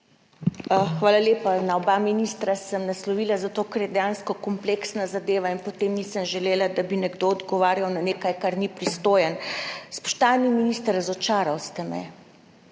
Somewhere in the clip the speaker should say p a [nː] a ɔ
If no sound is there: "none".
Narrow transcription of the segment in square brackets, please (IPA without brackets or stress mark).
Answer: n